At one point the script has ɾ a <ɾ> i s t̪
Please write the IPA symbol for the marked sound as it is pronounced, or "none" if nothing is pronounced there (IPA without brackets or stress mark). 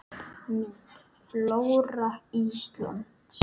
none